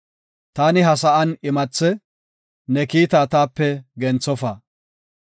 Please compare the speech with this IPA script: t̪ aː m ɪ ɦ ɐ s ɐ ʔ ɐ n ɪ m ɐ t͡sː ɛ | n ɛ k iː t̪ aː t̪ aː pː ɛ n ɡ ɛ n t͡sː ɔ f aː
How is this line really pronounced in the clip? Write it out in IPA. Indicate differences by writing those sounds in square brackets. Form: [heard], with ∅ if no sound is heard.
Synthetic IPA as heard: t̪ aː [n] ɪ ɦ ɐ s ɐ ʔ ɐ n ɪ m ɐ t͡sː ɛ | n ɛ k iː t̪ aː t̪ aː pː ɛ [∅] ɡ ɛ n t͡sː ɔ f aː